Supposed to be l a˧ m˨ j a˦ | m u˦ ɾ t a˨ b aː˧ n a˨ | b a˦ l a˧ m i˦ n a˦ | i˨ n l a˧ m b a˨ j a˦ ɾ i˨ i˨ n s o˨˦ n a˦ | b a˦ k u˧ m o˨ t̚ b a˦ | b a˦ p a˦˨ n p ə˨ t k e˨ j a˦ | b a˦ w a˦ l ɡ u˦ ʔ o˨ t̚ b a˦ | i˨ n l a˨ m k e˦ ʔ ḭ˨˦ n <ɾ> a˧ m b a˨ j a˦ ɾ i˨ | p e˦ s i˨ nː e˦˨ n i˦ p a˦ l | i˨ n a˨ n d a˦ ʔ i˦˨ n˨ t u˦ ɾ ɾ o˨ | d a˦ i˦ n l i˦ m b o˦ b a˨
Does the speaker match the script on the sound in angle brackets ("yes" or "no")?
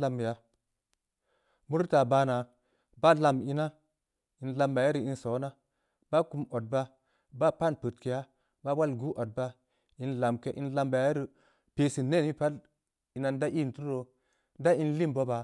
no